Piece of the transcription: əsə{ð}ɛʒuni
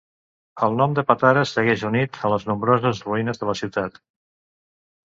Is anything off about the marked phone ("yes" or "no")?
yes